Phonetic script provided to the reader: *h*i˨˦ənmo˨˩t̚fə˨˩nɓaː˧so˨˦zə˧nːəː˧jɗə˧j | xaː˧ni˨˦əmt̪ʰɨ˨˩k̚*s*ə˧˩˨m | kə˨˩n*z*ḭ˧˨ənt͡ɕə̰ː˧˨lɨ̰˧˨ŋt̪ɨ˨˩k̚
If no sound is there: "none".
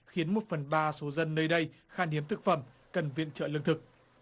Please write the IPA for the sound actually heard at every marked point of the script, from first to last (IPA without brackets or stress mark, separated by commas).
x, f, v